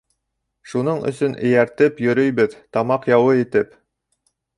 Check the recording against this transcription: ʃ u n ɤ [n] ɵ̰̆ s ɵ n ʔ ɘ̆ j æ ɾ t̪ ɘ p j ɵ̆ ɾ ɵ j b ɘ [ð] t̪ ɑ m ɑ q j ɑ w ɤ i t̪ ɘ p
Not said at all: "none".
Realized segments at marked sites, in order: ɴ, ð

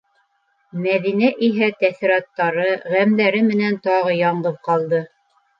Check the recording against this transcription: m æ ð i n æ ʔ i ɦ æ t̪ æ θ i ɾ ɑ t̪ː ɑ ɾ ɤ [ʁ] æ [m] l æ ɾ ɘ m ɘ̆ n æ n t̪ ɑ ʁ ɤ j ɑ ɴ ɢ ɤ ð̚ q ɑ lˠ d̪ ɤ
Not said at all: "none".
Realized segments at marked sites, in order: ʁ, m

